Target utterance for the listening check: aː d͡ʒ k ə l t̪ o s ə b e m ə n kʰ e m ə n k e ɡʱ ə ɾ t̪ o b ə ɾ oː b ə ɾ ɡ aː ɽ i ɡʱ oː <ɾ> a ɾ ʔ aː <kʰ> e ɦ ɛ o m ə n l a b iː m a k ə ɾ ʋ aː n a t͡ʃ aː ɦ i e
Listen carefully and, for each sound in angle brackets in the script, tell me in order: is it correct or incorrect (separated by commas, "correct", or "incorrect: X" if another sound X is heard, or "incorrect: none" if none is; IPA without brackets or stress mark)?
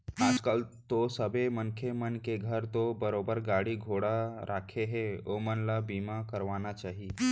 incorrect: ɽ, correct